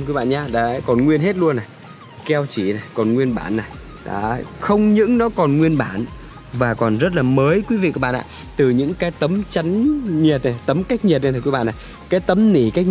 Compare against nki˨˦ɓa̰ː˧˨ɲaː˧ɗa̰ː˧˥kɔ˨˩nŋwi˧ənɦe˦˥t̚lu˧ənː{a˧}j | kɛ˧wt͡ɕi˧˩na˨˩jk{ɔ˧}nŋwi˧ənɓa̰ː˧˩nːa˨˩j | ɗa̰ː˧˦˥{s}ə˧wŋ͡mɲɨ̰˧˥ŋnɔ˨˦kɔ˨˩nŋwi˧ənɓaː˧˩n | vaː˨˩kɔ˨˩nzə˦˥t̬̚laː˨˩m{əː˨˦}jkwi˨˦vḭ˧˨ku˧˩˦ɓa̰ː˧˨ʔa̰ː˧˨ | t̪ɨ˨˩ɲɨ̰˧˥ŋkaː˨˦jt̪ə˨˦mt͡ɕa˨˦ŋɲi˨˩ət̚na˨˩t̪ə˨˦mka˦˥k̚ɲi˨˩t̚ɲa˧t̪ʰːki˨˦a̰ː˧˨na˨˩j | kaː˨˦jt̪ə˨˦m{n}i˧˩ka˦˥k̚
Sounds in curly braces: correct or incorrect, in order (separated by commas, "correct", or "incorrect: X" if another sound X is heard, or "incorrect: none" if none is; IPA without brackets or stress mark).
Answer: incorrect: a˨˩, incorrect: ɔ˨˩, incorrect: x, correct, correct